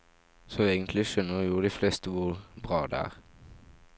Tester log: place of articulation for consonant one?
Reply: alveolar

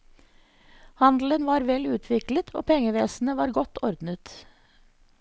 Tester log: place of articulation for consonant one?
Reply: glottal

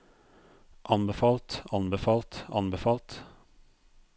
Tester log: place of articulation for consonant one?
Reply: glottal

